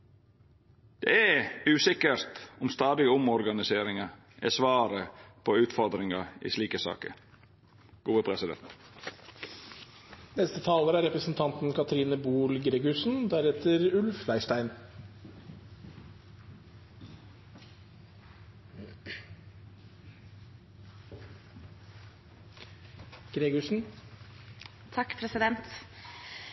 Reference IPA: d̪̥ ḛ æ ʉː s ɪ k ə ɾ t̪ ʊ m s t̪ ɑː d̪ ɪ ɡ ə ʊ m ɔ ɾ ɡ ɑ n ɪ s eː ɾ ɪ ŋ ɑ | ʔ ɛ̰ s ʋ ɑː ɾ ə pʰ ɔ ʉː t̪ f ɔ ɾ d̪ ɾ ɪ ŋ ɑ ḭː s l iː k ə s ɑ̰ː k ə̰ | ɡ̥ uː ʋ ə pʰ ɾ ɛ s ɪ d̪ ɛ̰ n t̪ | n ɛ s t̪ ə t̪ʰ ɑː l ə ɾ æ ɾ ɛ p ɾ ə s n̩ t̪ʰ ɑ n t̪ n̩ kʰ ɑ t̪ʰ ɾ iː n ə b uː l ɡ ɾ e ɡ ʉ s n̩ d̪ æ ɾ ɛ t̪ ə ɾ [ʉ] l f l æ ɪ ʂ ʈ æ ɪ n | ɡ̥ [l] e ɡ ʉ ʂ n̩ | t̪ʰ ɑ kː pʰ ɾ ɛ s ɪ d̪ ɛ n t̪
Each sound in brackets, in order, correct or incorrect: correct, incorrect: ɾ

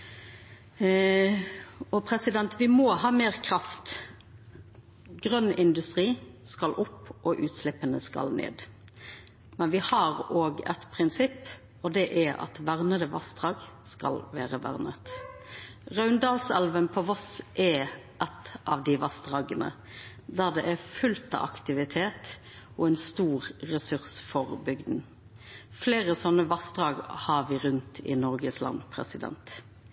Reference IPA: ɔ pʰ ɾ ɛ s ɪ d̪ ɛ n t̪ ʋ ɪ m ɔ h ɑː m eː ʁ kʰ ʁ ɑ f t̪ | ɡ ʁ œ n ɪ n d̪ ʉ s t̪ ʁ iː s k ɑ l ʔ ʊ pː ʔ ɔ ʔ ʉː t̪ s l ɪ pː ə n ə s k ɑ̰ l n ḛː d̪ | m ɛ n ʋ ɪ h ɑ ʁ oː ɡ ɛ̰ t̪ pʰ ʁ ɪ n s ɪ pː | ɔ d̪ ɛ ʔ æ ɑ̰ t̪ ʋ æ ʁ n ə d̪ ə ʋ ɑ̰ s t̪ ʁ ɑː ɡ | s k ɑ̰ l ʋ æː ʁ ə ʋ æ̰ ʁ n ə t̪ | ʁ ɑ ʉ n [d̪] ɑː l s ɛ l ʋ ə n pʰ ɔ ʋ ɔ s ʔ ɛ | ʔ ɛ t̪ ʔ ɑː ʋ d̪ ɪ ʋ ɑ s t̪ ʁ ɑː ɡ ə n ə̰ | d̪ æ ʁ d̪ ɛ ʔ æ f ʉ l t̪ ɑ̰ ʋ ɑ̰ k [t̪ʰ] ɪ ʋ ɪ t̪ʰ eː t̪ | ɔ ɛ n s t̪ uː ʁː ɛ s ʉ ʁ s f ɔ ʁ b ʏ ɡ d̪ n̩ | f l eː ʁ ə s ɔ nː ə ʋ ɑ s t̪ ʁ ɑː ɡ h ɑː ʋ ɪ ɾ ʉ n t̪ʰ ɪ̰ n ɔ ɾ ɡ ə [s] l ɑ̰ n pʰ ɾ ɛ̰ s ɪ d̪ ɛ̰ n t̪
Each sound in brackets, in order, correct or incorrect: correct, incorrect: t̪, correct

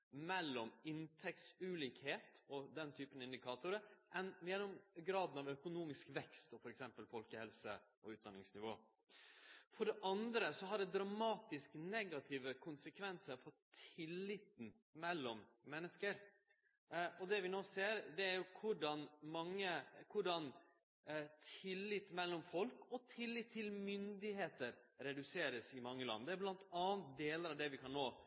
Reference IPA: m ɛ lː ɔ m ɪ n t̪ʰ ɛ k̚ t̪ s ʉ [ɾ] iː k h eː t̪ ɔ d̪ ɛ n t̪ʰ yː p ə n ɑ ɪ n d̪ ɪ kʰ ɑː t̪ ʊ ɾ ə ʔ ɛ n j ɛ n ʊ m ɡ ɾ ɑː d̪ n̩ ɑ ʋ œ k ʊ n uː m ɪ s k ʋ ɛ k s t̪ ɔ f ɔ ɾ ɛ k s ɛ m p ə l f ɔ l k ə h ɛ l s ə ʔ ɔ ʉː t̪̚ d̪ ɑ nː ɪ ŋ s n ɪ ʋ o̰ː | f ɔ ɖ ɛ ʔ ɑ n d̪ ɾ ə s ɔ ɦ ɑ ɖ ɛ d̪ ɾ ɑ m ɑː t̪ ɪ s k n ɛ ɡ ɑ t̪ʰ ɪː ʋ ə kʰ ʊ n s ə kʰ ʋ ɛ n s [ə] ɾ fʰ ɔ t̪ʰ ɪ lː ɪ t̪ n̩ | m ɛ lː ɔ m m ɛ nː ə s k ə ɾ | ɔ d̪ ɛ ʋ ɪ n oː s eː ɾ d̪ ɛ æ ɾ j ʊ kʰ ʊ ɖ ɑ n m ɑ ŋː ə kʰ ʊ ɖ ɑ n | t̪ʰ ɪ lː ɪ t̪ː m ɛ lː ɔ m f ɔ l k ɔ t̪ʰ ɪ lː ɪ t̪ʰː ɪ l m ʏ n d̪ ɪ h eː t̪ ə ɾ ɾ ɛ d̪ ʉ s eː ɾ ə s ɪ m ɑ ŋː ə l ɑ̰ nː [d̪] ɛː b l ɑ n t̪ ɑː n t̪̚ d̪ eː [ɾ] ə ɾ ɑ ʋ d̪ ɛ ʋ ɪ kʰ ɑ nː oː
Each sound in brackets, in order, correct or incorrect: incorrect: l, correct, correct, incorrect: l

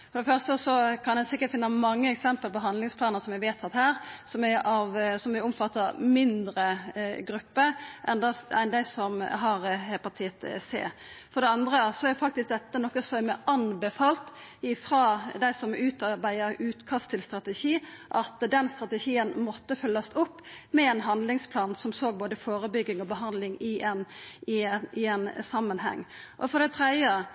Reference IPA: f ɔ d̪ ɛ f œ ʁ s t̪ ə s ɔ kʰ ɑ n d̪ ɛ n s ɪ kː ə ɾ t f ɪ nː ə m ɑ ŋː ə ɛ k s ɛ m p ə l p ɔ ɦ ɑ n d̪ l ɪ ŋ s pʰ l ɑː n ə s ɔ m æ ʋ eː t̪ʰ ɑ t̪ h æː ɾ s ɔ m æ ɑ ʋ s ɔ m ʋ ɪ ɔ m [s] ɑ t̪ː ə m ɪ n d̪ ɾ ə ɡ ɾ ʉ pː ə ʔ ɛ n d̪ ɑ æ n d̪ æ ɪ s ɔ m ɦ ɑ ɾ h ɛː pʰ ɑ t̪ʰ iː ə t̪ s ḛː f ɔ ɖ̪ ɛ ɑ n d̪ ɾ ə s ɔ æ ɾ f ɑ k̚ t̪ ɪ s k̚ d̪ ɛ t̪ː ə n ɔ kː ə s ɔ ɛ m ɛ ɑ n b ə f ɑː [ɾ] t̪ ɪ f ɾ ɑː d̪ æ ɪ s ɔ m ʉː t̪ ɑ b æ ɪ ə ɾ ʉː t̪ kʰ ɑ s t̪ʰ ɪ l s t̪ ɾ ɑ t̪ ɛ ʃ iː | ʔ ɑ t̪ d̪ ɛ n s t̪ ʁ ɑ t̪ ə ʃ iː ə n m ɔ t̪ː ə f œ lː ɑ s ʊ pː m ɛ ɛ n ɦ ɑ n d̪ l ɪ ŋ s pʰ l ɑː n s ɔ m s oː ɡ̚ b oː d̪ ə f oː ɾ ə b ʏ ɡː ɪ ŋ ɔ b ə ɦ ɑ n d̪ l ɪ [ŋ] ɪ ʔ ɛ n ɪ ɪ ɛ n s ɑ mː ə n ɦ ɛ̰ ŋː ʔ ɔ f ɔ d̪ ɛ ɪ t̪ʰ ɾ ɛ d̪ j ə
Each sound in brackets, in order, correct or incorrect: incorrect: f, incorrect: l, correct

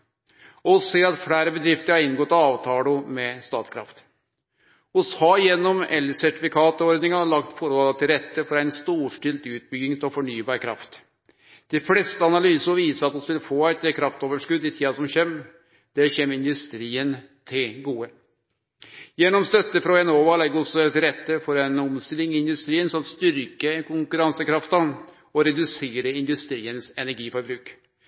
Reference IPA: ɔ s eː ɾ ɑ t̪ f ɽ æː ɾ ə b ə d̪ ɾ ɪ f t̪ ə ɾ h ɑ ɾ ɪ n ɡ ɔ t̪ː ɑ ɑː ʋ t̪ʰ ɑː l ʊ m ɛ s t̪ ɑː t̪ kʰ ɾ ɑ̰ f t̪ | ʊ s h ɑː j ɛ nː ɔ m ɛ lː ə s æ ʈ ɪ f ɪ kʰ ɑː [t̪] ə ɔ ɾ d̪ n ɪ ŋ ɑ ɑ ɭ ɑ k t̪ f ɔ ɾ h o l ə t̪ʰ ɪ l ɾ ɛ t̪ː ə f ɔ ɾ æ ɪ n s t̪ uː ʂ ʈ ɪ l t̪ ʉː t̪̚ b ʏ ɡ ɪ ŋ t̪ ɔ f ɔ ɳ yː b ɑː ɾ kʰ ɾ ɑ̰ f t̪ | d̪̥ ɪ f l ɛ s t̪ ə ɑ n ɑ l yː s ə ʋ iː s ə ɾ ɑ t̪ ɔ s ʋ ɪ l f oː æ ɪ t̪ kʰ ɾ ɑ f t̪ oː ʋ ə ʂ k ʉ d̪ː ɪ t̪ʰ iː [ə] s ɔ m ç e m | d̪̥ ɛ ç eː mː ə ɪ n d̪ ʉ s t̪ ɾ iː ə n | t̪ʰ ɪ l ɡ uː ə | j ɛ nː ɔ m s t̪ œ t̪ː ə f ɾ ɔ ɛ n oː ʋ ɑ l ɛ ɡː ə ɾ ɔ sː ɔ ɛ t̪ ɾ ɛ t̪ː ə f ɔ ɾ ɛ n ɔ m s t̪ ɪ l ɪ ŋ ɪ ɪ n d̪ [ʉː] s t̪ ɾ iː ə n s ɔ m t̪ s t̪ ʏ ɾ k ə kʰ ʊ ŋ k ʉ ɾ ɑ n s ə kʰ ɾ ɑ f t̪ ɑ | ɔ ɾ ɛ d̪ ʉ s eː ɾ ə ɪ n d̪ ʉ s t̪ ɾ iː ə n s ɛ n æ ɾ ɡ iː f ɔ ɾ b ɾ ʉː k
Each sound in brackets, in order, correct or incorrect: correct, incorrect: ɑ, incorrect: ʉ

